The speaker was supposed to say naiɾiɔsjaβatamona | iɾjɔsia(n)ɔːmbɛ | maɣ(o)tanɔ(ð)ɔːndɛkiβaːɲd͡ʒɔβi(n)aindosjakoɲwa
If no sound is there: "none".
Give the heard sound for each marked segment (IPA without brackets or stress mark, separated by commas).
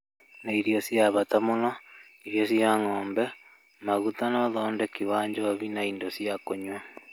ŋ, u, ð, n